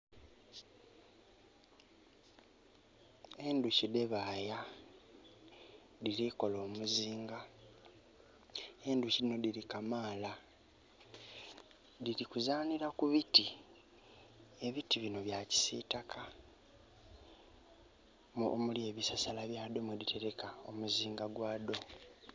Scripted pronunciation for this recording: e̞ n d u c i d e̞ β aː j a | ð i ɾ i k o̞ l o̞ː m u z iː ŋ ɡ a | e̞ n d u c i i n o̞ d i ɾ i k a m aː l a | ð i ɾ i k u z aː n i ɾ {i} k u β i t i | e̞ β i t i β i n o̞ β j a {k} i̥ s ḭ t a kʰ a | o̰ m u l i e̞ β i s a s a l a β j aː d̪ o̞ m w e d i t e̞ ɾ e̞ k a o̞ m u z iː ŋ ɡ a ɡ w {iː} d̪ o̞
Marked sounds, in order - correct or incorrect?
incorrect, incorrect, incorrect

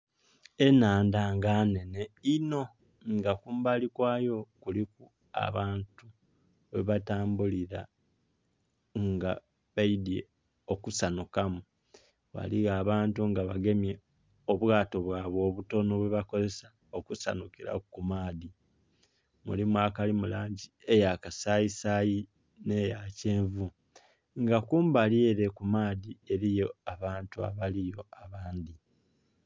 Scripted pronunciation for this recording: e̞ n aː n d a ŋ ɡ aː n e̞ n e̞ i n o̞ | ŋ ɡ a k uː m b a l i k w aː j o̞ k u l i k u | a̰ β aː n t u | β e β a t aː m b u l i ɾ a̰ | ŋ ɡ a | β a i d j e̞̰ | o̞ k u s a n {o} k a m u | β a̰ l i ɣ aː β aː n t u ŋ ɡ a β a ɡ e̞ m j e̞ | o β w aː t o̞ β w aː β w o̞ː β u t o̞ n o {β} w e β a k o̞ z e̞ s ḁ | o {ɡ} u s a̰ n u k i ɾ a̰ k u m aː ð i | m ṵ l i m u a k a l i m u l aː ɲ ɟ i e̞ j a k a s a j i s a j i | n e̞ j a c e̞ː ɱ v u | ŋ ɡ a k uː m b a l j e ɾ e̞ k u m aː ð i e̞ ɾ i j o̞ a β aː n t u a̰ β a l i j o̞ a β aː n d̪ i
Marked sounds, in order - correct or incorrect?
incorrect, correct, incorrect

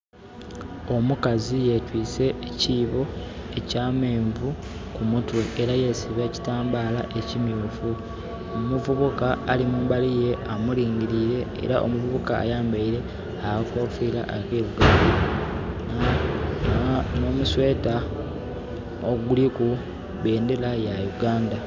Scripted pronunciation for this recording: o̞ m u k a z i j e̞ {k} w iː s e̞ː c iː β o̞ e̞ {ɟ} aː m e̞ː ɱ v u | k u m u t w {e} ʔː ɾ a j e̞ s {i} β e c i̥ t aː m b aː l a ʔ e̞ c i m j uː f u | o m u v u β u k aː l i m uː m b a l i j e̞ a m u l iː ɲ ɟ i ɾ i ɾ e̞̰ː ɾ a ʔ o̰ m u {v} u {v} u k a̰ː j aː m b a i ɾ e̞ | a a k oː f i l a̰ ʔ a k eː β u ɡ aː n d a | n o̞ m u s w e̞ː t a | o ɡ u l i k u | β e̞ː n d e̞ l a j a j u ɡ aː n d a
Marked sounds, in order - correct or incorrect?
incorrect, incorrect, correct, correct, correct, incorrect

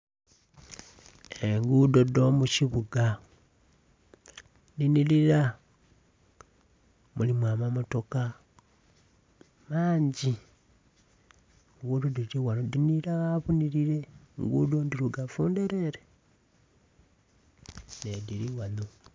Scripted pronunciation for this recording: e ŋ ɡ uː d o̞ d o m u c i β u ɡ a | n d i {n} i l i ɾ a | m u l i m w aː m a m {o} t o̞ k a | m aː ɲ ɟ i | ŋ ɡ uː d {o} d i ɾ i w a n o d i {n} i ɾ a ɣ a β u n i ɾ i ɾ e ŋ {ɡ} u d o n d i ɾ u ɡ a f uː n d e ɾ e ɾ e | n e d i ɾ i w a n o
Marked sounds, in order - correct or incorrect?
correct, correct, correct, correct, correct

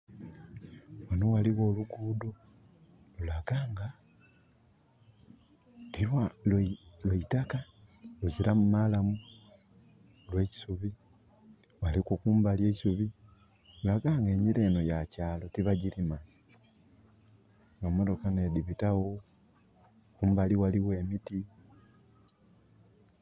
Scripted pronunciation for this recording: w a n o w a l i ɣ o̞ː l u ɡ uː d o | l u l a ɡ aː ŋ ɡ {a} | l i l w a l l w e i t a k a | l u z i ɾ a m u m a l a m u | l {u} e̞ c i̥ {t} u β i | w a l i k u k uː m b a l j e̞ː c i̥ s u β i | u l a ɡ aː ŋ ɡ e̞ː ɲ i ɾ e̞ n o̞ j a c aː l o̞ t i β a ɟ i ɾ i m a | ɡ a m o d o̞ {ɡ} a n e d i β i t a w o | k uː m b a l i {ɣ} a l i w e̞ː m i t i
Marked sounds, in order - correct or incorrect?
correct, incorrect, incorrect, incorrect, incorrect

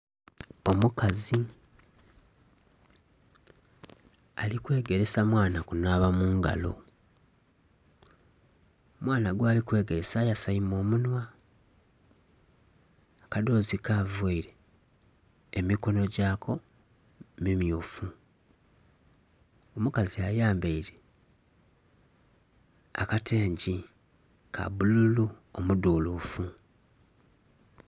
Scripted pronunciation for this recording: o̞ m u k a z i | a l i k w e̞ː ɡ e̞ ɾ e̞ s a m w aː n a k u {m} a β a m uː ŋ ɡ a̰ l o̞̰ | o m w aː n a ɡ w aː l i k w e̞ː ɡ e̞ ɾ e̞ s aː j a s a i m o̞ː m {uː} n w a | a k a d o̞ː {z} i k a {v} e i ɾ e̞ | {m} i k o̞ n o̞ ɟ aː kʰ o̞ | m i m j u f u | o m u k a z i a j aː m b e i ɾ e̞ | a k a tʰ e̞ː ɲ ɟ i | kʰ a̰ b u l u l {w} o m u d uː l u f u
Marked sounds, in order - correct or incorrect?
incorrect, incorrect, correct, correct, correct, incorrect

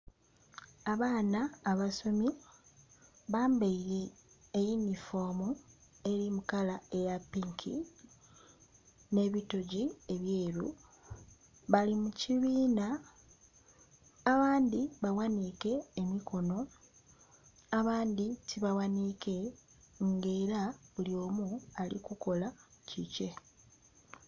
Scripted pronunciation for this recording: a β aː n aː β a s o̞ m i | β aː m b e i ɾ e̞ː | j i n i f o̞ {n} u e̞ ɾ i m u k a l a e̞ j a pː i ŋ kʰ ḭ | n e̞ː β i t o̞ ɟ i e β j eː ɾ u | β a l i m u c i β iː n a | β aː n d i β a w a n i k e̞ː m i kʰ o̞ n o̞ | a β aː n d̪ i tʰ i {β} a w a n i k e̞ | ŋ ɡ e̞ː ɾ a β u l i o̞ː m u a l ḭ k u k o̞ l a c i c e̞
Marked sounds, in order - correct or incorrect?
incorrect, correct

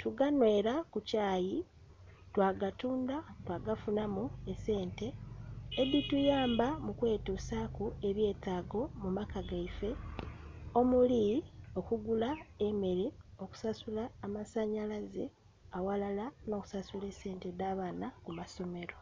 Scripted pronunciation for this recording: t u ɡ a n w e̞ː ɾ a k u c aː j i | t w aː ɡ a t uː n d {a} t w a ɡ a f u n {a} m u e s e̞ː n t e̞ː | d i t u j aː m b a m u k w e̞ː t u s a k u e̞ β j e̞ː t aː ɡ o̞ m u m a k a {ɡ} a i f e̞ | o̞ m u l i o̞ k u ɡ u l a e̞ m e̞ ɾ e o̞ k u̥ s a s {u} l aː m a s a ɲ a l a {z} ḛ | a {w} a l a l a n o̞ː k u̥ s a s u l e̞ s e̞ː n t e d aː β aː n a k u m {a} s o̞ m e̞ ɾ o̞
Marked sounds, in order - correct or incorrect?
correct, correct, correct, correct, correct, correct, correct

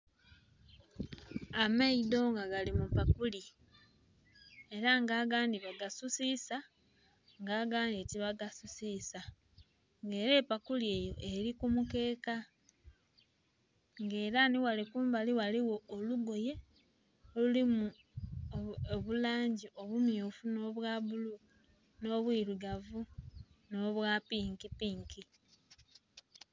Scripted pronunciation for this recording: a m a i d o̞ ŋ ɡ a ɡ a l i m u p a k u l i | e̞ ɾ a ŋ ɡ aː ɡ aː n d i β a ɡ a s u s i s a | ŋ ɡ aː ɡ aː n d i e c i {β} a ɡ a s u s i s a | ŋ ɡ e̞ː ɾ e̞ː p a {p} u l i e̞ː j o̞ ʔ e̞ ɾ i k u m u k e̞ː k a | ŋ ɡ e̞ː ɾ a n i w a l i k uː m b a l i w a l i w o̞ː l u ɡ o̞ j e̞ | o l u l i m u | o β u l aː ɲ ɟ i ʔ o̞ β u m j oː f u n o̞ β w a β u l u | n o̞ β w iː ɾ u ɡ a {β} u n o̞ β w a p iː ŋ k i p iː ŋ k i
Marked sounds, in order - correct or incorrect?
correct, incorrect, incorrect

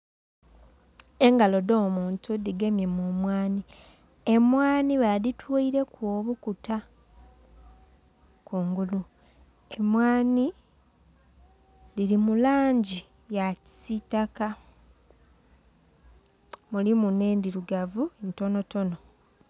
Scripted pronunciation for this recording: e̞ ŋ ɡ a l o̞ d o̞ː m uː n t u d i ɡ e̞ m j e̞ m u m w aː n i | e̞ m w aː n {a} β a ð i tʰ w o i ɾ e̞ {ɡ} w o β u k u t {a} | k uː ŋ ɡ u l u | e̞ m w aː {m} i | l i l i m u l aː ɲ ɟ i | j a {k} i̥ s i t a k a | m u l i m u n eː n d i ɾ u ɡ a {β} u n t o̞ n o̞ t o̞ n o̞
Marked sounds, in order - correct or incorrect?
incorrect, incorrect, correct, incorrect, incorrect, incorrect

